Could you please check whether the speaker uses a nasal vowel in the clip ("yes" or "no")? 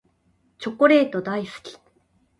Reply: no